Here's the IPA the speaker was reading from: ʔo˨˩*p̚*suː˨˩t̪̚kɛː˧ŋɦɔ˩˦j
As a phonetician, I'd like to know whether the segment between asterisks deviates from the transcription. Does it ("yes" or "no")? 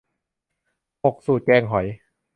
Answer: yes